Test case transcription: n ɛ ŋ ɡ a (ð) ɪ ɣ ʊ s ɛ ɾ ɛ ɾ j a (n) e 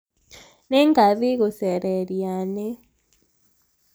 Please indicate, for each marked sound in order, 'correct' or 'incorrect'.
correct, correct

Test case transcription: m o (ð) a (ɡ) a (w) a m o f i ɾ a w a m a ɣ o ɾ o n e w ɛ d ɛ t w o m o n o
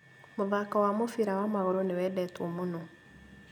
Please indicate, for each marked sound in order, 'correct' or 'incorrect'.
correct, incorrect, correct

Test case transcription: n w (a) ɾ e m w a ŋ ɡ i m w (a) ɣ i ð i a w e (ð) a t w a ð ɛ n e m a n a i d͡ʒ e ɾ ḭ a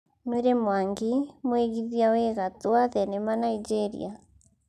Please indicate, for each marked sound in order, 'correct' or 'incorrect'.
incorrect, incorrect, incorrect

